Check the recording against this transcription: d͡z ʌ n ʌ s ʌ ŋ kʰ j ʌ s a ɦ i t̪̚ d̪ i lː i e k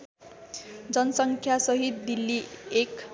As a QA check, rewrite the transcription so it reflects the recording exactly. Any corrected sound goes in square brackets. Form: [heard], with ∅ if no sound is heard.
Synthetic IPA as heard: d͡z ʌ n ʌ s ʌ ŋ kʰ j [a] s [ʌ] ɦ i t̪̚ d̪ i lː i e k